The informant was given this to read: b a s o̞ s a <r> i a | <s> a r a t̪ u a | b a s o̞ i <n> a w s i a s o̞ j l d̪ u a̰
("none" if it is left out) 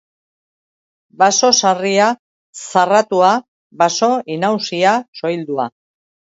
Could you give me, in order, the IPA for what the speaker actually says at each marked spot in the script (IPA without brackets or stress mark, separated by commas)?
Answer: r, s, n